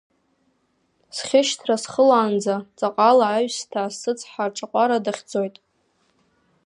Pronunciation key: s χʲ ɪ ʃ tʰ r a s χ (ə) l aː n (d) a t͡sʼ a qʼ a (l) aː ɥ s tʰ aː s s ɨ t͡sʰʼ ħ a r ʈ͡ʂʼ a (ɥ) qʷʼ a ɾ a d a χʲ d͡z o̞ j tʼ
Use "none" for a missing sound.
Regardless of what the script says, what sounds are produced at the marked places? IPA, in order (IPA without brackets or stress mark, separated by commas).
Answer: ə, d͡z, l, none